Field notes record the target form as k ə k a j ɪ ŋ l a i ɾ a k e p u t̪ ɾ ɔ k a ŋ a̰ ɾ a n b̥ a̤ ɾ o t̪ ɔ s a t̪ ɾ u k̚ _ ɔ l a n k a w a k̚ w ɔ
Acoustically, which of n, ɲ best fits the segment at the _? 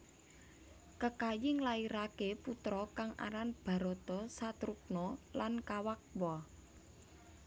n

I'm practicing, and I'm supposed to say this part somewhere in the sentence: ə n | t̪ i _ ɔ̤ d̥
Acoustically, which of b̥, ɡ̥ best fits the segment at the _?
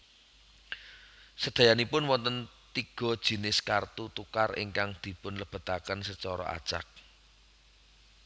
ɡ̥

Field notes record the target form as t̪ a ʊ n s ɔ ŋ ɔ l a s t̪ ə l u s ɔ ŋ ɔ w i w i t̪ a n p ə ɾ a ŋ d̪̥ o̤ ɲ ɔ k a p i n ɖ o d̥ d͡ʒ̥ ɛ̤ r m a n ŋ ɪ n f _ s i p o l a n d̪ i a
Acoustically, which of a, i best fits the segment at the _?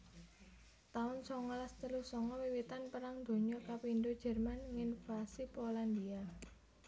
a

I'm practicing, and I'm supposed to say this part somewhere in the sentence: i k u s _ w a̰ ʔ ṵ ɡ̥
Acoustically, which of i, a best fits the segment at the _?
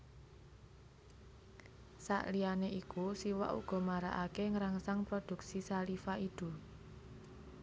i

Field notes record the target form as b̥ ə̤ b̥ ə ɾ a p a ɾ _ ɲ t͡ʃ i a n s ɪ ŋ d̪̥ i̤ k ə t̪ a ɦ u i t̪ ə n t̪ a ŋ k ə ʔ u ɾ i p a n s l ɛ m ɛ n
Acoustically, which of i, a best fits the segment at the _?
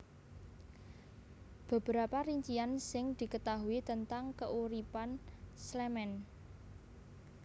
i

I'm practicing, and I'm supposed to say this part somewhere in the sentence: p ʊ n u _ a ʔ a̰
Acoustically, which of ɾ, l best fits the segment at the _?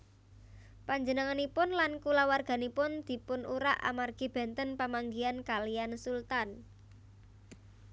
ɾ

